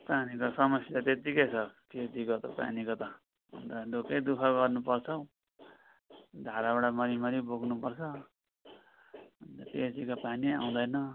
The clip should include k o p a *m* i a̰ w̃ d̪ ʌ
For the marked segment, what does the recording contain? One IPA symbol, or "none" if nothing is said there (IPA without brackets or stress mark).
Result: n